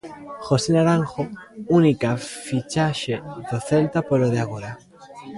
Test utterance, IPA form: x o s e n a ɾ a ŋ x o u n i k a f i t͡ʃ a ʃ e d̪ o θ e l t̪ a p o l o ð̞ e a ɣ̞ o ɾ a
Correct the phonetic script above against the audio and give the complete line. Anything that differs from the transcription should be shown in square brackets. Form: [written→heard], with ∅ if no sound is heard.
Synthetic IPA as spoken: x o s e n a ɾ a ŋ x o u n i k a f i t͡ʃ a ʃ e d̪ o θ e l t̪ a p o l o ð̞ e a ɣ̞ o ɾ a